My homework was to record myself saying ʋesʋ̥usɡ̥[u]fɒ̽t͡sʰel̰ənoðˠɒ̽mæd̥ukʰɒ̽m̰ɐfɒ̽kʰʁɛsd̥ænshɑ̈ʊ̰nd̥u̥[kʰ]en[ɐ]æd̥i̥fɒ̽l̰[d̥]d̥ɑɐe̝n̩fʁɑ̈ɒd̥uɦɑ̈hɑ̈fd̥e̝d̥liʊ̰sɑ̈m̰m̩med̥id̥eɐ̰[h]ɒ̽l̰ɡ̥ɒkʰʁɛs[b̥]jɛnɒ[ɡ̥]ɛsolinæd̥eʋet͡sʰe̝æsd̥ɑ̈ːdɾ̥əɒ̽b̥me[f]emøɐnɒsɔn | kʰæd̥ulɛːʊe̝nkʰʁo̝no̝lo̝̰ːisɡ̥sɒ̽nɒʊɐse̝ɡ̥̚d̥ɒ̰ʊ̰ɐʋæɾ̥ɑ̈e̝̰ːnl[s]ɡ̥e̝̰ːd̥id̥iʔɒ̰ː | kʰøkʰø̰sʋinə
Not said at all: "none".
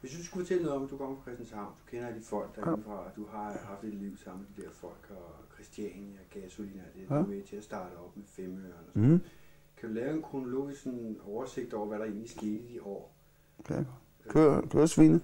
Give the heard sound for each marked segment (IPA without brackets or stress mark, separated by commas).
u, kʰ, ɐ, ɡ̥, f, d̥, ɡ̥, f, s